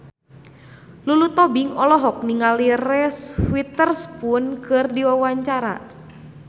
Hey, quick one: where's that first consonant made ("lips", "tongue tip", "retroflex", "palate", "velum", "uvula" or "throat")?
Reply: tongue tip